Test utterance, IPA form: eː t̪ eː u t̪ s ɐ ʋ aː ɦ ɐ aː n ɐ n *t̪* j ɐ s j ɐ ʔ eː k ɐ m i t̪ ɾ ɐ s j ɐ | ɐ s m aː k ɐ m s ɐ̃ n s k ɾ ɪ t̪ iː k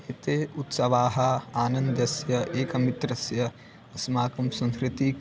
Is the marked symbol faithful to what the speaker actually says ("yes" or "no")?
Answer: no